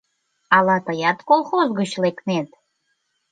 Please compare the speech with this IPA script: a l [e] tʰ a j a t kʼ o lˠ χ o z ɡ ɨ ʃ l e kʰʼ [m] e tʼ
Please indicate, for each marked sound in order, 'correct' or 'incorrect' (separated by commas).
incorrect, incorrect